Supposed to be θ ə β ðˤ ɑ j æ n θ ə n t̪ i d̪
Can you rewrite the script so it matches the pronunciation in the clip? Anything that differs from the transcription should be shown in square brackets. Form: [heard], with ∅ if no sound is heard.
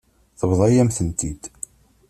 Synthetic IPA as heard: θ ə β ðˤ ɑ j æ [m] θ ə n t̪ i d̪